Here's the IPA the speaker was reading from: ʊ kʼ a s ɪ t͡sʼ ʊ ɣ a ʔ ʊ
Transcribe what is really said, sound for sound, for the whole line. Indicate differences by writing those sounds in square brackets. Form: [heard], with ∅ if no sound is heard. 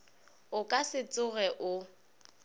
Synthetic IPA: ʊ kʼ a s ɪ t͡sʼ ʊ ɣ [ɛ] ʔ ʊ